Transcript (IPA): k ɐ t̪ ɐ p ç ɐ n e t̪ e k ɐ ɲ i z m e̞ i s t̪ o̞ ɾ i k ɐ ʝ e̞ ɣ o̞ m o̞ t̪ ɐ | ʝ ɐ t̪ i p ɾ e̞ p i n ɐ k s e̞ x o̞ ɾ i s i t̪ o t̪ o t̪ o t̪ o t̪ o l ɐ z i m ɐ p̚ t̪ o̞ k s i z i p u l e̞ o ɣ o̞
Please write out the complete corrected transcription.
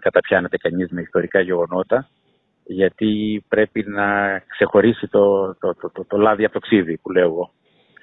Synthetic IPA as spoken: k ɐ t̪ ɐ p ç ɐ n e t̪ e k ɐ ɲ i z m e̞ i s t̪ o̞ ɾ i k ɐ ʝ e̞ ɣ o̞ n o̞ t̪ ɐ | ʝ ɐ t̪ i p ɾ e̞ p i n ɐ k s e̞ x o̞ ɾ i s i t̪ o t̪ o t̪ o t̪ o t̪ o l ɐ ð i ɐ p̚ t̪ o̞ k s i ð i p u l e̞ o ɣ o̞